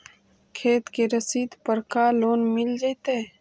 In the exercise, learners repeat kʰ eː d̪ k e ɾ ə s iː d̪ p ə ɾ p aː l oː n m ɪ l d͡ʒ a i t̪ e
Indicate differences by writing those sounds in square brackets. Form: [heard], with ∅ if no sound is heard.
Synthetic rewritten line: kʰ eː [t̪] k e ɾ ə s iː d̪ p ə ɾ [k] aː l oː n m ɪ l d͡ʒ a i t̪ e